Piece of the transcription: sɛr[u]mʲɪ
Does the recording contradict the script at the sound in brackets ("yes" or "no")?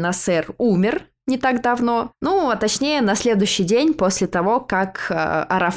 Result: no